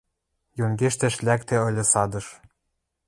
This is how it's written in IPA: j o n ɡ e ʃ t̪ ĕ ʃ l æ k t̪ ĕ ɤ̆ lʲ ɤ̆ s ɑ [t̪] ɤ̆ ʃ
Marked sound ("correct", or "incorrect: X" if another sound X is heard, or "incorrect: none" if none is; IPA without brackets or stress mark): incorrect: d̪